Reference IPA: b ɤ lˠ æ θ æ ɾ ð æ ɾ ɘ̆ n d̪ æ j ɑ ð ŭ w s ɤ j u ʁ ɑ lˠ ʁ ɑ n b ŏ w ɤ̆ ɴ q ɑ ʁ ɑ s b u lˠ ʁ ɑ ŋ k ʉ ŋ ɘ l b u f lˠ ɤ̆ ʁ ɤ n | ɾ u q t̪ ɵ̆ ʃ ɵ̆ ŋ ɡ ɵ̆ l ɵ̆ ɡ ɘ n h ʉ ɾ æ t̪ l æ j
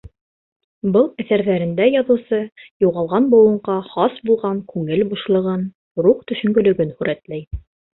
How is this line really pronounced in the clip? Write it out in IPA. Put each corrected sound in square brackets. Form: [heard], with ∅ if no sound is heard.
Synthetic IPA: b ɤ lˠ æ θ æ ɾ ð æ ɾ ɘ̆ n d̪ æ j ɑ ð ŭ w s ɤ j u ʁ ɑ lˠ ʁ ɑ n b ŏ w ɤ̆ ɴ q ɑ [χ] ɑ s b u lˠ ʁ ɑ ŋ k ʉ ŋ ɘ l b u [ʃ] lˠ ɤ̆ ʁ ɤ n | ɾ u q t̪ ɵ̆ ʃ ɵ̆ ŋ ɡ ɵ̆ l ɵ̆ ɡ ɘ n h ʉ ɾ æ t̪ l æ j